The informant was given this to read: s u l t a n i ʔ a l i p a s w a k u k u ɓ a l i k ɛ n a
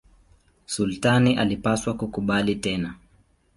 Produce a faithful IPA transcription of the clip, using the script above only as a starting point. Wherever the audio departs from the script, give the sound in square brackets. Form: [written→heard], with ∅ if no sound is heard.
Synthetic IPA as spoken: s u l t a n i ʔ a l i p a s w a k u k u ɓ a l i [k→t] ɛ n a